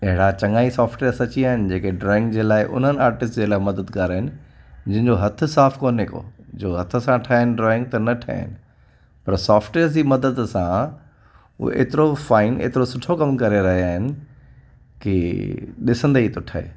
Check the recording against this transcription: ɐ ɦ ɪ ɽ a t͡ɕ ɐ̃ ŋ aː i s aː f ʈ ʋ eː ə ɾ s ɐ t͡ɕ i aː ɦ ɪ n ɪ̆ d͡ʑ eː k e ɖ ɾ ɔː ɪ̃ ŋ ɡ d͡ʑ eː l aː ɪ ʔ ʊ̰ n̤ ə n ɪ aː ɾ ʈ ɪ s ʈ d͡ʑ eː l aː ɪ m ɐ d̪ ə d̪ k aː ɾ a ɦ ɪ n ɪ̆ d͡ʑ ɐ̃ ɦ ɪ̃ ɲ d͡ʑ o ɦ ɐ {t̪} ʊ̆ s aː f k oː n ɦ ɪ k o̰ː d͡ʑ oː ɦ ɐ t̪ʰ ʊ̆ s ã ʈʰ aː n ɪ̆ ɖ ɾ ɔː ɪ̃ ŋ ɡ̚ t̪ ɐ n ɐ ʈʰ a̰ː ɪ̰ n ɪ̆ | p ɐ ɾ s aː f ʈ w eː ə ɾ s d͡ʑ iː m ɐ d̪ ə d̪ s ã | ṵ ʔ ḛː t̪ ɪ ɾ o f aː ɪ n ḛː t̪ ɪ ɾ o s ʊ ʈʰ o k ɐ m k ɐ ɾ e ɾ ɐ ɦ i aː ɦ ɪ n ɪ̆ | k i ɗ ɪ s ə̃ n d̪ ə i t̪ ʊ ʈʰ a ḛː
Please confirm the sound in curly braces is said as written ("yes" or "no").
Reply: no